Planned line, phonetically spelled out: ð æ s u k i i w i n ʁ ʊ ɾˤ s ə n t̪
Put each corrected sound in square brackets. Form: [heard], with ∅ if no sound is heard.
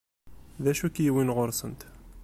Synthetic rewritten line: ð æ [ʃ] u k [j] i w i n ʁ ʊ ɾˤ s ə n t̪